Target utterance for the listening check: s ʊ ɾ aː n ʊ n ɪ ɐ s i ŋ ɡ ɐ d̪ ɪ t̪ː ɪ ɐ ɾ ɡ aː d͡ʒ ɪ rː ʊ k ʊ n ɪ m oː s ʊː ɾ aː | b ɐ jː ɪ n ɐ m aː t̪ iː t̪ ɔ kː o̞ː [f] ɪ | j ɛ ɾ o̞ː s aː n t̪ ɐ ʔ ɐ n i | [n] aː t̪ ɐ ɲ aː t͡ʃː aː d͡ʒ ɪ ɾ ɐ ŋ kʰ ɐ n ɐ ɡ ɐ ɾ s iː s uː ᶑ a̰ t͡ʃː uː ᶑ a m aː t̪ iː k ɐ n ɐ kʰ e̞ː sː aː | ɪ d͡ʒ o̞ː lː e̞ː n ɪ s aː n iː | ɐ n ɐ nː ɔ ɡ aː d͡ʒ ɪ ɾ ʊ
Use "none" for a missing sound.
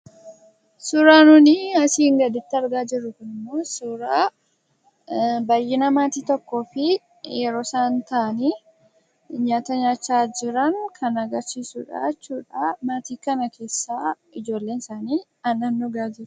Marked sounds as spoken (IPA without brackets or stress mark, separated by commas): f, ɲ